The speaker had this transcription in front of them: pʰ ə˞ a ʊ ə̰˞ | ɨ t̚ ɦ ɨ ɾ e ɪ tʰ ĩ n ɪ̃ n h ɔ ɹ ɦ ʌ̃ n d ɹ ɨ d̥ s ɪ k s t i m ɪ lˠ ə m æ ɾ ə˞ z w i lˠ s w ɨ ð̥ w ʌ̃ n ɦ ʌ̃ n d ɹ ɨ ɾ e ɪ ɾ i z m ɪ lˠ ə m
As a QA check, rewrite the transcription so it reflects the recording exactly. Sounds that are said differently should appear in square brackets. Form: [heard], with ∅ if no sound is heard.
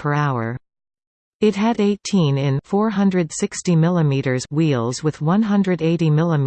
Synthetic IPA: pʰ ə˞ a ʊ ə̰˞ | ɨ t̚ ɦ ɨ ɾ e ɪ tʰ ĩ n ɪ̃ n [f] ɔ ɹ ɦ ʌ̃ n d ɹ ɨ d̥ s ɪ k s t i m ɪ lˠ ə m [i] ɾ ə˞ z w i lˠ [z] w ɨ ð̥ w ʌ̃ n ɦ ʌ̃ n d ɹ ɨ ɾ e ɪ ɾ i [∅] m ɪ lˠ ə m